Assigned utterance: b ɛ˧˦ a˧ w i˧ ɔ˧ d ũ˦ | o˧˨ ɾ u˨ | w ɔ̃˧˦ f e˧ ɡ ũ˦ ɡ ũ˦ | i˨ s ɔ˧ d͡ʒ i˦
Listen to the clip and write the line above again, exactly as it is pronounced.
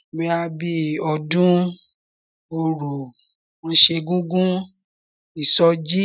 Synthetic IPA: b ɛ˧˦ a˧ b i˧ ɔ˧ d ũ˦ | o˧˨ ɾ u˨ | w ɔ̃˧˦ ʃ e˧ ɡ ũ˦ ɡ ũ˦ | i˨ s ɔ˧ d͡ʒ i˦

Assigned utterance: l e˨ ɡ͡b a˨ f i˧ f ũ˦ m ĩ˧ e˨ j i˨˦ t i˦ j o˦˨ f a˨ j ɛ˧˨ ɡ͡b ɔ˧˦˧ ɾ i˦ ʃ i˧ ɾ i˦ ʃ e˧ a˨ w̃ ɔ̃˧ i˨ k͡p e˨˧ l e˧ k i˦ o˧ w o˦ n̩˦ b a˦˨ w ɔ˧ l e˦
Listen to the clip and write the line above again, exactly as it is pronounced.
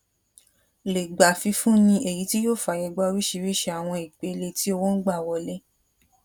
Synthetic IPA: l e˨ ɡ͡b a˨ f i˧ f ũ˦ n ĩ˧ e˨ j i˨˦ t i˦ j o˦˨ f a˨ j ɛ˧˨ ɡ͡b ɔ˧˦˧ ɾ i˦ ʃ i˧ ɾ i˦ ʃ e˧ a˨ w̃ ɔ̃˧ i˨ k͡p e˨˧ l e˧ t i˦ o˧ w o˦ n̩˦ ɡ͡b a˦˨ w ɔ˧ l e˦

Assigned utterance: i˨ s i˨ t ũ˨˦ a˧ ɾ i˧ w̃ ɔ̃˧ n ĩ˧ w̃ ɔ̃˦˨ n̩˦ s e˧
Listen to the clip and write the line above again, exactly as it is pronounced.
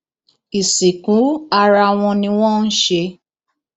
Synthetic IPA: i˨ s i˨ k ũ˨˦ a˧ ɾ a˧ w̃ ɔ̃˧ n ĩ˧ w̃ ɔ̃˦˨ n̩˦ ʃ e˧

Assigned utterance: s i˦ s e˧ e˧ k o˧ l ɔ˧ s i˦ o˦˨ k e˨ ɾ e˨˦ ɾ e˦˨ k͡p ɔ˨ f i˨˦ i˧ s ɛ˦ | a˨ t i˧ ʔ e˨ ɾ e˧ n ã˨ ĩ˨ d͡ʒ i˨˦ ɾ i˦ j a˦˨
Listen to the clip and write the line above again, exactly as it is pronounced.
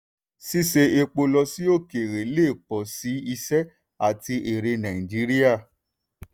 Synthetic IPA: s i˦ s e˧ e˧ k͡p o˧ l ɔ˧ s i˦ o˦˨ k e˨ ɾ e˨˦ l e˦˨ k͡p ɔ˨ s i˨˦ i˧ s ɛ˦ | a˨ t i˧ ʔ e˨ ɾ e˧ n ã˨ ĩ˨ d͡ʒ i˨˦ ɾ i˦ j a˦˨

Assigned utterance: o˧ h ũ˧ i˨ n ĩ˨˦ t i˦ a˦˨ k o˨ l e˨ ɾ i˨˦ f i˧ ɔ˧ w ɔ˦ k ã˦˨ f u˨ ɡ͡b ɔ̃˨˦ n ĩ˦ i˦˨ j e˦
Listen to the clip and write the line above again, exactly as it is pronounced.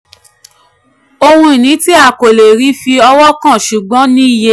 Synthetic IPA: o˧ h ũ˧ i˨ n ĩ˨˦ t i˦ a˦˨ k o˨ l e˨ ɾ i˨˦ f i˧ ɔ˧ w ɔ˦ k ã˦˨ ʃ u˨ ɡ͡b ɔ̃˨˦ n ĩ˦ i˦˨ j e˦

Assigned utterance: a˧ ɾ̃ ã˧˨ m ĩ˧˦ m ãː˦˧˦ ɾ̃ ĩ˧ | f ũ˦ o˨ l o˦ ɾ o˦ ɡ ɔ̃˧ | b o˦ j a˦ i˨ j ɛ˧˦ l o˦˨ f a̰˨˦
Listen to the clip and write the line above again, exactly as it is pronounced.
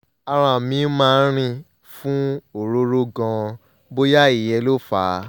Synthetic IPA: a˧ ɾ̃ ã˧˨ m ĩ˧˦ m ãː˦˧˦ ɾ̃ ĩ˧ | f ũ˦ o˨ ɾ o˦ ɾ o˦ ɡ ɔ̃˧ | b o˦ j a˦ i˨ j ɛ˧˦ l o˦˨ f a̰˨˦

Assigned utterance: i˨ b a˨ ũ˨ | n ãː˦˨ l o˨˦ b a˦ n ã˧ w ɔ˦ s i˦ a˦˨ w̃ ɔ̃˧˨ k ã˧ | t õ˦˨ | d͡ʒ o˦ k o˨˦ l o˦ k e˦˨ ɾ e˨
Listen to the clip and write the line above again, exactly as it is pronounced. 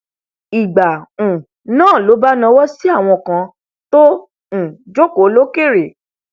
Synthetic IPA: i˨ ɡ͡b a˨ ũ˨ | n ãː˦˨ l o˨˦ b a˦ n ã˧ w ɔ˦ s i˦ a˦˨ w̃ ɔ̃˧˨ k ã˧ | t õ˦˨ | d͡ʒ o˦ k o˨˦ l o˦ k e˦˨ ɾ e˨

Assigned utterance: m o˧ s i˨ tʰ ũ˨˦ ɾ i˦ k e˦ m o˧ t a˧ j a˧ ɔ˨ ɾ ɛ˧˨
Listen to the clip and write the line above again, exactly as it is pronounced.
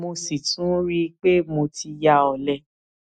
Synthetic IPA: m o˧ s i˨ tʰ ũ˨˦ ɾ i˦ k͡p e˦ m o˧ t i˧ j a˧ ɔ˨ l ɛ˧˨

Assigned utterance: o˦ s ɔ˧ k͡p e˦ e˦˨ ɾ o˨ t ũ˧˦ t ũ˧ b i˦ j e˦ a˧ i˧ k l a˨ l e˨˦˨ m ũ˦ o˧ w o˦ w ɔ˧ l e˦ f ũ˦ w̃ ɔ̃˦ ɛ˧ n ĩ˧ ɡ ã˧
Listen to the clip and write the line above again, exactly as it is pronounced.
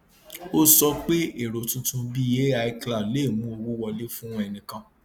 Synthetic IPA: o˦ s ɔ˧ k͡p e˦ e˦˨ ɾ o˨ t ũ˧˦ t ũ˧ b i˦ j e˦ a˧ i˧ k l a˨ l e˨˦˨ m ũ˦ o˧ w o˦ w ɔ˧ l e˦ f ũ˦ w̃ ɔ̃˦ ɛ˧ n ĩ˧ k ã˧

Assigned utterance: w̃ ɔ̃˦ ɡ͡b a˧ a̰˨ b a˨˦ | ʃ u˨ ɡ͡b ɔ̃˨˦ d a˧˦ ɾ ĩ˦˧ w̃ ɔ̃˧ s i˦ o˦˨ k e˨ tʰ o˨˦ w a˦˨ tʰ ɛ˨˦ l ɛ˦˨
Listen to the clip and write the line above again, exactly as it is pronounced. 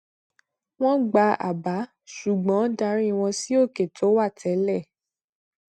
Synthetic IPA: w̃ ɔ̃˦ ɡ͡b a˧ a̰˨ b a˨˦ | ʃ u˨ ɡ͡b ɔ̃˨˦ d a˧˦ ɾ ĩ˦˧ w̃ ɔ̃˧ s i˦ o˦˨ k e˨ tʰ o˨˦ w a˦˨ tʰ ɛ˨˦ l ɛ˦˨

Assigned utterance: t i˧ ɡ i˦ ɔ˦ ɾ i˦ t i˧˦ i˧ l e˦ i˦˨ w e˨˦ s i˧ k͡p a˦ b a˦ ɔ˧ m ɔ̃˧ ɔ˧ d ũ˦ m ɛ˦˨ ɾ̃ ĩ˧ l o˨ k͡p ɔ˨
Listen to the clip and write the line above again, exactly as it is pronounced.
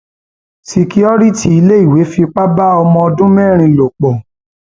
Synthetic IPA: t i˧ k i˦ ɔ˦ ɾ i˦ t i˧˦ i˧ l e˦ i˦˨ w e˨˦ f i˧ k͡p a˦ b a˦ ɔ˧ m ɔ̃˧ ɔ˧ d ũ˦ m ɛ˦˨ ɾ̃ ĩ˧ l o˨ k͡p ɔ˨

